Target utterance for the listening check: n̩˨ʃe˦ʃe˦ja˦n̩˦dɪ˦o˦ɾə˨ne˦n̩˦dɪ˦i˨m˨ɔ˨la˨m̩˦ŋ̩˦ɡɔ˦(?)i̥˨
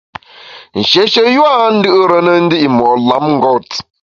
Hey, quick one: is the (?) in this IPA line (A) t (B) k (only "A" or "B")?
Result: A